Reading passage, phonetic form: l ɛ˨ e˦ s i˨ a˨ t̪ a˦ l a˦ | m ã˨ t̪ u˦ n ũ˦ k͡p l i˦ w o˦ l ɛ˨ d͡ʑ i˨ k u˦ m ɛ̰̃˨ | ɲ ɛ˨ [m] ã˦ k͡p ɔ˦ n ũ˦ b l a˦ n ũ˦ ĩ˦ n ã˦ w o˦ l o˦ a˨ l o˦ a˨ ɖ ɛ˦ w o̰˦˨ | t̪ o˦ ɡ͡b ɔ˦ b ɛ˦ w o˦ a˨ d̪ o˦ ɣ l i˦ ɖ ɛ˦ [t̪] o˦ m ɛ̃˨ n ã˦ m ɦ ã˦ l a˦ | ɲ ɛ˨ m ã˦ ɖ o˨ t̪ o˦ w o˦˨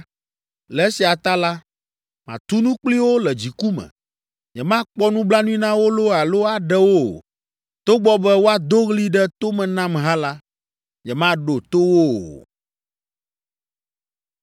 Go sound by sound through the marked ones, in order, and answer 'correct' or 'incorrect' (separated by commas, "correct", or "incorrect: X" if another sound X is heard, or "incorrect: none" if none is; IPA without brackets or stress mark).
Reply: correct, correct